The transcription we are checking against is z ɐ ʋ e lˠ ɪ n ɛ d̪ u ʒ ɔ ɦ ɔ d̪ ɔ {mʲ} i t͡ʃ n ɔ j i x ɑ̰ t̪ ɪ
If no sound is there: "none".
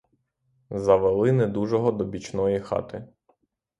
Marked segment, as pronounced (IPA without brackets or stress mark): bʲ